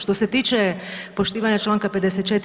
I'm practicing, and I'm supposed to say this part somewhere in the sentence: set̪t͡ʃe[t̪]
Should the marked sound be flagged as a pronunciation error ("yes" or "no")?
no